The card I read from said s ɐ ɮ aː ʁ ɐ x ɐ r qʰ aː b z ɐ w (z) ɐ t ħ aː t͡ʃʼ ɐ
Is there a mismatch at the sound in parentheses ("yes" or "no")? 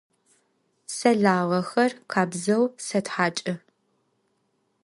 yes